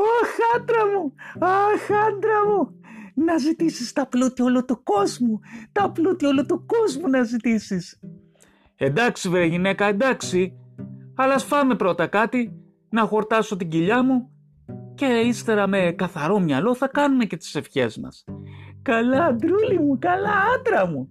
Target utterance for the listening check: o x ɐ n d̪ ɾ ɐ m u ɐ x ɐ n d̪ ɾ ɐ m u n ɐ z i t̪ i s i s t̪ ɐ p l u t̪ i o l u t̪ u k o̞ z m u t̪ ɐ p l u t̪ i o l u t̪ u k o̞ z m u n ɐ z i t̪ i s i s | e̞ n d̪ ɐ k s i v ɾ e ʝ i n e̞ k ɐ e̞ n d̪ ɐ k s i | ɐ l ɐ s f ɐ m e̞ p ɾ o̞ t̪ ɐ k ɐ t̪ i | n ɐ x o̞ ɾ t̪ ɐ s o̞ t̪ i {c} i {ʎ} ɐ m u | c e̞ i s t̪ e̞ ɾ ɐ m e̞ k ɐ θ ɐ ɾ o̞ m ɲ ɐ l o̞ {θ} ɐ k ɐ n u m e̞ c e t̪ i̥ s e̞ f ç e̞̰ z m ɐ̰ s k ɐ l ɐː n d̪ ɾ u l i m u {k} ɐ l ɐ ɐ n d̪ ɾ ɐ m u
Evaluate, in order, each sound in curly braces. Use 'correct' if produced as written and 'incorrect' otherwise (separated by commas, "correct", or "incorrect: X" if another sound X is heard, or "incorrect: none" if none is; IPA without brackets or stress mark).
incorrect: ɟ, correct, correct, correct